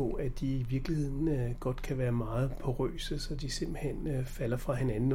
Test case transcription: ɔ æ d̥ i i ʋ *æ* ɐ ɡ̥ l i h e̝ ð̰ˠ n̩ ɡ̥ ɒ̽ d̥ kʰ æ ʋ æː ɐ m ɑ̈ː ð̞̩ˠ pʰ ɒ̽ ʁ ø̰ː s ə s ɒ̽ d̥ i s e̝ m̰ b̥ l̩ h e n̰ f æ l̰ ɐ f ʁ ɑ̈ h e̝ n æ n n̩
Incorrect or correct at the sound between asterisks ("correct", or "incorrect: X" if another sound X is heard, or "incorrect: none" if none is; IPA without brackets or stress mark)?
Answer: incorrect: i